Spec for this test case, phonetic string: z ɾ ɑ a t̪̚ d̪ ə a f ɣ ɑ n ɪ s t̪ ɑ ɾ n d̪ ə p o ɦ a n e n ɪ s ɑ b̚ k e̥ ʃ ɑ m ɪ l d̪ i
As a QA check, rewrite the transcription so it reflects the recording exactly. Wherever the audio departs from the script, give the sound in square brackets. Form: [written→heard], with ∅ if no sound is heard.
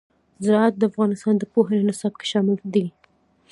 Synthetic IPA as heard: z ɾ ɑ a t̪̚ d̪ ə a f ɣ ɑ n ɪ s t̪ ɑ [ɾ→∅] n d̪ ə p o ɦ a n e n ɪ s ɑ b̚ k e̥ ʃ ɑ m ɪ l d̪ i